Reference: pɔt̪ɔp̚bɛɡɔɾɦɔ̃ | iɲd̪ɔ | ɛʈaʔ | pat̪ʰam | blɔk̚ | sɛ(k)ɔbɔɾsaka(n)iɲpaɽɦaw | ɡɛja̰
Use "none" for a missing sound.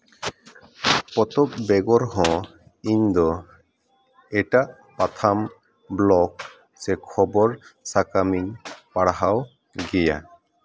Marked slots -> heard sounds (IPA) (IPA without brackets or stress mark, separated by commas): kʰ, m